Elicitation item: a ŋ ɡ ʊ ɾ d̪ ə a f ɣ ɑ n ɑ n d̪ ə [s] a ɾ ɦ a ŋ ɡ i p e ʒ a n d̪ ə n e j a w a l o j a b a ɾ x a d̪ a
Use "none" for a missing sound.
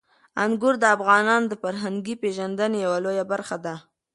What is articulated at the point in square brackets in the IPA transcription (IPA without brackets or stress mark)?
f